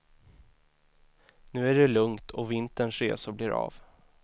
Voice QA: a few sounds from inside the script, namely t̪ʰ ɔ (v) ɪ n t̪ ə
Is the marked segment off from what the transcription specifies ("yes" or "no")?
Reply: no